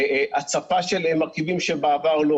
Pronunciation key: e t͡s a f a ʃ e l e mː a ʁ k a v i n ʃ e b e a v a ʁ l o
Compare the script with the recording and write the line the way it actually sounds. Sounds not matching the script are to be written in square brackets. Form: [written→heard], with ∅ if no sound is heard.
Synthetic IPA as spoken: [e→a] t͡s a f a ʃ e l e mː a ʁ k [a→i] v i [n→m] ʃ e b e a v a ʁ l o

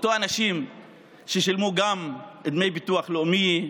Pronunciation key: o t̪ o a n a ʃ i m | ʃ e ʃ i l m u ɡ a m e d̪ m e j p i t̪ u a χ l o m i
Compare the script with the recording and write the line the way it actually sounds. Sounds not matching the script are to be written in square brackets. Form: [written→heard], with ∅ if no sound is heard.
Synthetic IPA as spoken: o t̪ o a n a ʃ i m | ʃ e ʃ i l m u ɡ a m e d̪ m e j [p→b] i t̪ u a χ l o m i

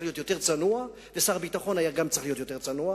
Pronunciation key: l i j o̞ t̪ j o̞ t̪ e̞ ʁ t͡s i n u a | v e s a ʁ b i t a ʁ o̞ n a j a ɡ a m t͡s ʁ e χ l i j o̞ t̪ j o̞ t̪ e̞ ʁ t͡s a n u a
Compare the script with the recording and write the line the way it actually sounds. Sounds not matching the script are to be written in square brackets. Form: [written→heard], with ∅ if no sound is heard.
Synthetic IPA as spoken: l i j o̞ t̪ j o̞ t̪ e̞ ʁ t͡s [i→a] n u a | v e s a ʁ b i t a [ʁ→χ] o̞ n a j a ɡ a m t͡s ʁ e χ l i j o̞ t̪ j o̞ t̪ e̞ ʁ t͡s a n u a

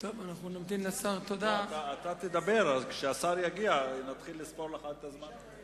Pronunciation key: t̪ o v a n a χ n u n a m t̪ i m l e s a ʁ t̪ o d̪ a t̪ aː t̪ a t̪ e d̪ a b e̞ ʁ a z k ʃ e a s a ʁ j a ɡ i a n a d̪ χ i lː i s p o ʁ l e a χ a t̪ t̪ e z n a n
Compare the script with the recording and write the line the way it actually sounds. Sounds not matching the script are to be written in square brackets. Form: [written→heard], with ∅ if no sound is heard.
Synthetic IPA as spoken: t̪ o v a n a χ n u n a m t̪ i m l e s a ʁ t̪ o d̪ a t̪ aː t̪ a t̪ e d̪ a b e̞ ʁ a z k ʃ e a s a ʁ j a ɡ i a n a [d̪→t̪] χ i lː i s p o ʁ l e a χ a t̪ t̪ [e→a] z [n→m] a n

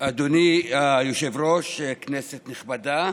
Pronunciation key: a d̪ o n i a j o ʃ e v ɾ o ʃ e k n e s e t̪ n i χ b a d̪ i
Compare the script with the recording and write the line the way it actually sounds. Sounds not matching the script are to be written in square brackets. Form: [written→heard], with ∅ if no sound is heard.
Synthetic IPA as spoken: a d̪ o n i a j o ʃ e v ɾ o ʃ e k n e s e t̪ n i χ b a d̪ [i→a]

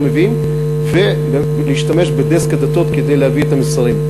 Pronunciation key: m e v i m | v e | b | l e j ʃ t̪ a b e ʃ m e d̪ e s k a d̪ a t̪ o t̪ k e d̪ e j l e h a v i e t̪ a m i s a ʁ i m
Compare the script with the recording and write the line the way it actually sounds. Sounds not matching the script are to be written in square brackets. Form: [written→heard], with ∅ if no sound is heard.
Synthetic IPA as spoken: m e v i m | v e | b | l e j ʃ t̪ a [b→m] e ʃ [m→b] e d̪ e s k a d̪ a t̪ o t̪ k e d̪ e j l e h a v i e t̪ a m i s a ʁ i m

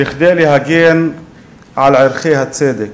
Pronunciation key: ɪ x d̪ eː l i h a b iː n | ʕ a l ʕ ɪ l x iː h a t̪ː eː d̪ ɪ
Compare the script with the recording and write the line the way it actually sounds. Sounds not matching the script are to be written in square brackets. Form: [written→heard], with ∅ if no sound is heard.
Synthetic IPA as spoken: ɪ x d̪ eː l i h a [b→ɡ] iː n | ʕ a l ʕ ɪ [l→ɾ] x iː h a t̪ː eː d̪ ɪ

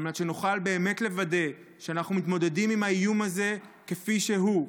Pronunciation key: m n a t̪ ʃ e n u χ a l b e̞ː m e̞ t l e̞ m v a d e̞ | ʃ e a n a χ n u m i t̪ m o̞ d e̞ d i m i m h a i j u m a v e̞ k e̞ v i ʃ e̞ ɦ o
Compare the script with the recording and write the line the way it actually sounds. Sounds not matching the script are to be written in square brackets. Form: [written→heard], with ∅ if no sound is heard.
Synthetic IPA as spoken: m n a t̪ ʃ e n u χ a l b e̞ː m e̞ t l e̞ [m→∅] v a d e̞ | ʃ e a n a χ n u m i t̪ m o̞ d e̞ d i m i m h a i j u m a [v→z] e̞ k e̞ [v→f] i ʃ e̞ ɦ [o→u]

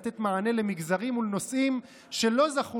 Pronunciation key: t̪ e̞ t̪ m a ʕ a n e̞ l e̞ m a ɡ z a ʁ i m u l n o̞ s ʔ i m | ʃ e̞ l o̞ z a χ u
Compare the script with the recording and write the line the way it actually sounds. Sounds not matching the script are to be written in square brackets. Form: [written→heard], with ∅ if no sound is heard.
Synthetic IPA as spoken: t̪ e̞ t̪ m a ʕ a n e̞ l e̞ m [a→i] ɡ z a ʁ i m u l n o̞ s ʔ i m | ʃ e̞ l o̞ z a χ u

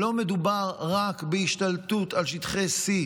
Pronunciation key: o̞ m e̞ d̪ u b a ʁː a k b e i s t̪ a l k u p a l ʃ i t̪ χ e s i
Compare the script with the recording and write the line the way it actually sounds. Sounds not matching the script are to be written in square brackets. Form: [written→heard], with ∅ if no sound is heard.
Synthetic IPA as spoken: o̞ m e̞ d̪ u b a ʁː a k b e i [s→ʃ] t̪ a l [k→t] u [p→t] a l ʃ i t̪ χ e s i

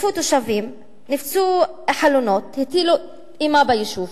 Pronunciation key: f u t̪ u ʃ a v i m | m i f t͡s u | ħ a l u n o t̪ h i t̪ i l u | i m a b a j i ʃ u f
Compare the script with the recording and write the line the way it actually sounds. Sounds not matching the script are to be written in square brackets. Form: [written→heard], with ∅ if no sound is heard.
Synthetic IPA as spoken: f u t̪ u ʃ a v i m | [m→n] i f t͡s u | ħ a l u n o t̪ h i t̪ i l u | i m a b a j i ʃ u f

